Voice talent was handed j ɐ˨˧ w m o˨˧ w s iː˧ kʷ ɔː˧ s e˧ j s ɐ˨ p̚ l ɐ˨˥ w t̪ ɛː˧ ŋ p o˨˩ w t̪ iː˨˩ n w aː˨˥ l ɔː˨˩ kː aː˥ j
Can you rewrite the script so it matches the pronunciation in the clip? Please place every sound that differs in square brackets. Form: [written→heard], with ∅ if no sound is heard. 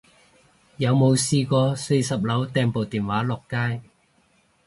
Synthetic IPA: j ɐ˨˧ w m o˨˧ w s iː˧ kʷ ɔː˧ s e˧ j s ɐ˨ p̚ l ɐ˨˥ w t̪ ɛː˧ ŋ p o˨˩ w t̪ iː˨˩ n w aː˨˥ l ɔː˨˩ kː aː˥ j